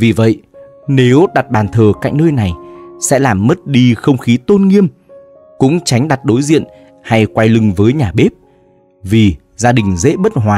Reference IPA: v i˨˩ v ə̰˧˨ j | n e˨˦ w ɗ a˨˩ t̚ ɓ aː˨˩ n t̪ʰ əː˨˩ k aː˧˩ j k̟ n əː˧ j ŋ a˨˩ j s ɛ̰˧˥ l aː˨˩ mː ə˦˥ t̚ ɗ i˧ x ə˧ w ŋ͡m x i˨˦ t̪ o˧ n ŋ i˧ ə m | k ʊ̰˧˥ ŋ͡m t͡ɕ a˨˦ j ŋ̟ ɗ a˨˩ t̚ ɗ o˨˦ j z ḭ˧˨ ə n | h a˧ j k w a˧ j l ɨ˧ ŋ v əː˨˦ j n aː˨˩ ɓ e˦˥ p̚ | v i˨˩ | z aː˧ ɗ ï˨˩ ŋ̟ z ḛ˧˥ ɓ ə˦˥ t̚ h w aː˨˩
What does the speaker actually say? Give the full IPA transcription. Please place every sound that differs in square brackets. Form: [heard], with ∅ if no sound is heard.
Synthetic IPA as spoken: v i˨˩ v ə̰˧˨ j | n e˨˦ w ɗ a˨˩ t̚ ɓ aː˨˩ n t̪ʰ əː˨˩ k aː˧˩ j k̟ n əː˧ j [n] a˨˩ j s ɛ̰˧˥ l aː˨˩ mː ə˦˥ t̚ ɗ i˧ x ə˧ w ŋ͡m x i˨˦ t̪ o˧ n ŋ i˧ ə m | k ʊ̰˧˥ ŋ͡m t͡ɕ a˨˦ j ŋ̟ ɗ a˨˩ t̚ ɗ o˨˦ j z ḭ˧˨ ə n | h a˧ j k w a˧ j l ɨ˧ ŋ v əː˨˦ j [ɲ] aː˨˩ ɓ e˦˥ p̚ | v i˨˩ | z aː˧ ɗ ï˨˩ ŋ̟ z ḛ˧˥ ɓ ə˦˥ t̚ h w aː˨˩